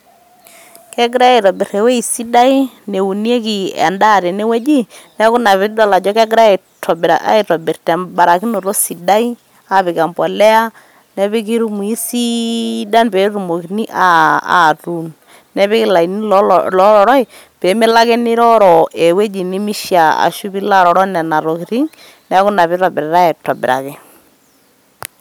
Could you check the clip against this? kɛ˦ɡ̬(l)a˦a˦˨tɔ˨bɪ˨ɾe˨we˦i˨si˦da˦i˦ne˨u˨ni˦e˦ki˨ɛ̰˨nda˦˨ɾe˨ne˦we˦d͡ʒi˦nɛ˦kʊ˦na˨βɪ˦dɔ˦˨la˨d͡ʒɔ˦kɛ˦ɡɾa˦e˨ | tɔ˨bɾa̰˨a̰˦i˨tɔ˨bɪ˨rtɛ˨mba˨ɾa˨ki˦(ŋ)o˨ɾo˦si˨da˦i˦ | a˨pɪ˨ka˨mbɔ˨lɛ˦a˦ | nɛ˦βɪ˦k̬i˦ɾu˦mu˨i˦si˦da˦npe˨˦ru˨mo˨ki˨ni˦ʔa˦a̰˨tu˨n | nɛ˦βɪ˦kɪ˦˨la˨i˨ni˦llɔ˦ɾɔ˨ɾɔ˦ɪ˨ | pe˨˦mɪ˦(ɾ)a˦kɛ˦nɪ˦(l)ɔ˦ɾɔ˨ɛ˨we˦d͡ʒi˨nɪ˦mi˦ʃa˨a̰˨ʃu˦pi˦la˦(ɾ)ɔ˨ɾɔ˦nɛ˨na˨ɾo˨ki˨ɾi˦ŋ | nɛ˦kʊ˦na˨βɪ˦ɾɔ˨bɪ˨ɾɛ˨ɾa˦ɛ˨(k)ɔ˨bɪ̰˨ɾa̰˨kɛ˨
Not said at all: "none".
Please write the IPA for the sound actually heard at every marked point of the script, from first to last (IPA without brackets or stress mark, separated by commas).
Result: ɾ, n, l, ɾ, ɾ, t